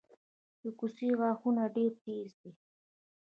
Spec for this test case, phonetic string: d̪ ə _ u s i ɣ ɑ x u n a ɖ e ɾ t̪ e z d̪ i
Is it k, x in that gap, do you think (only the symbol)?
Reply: k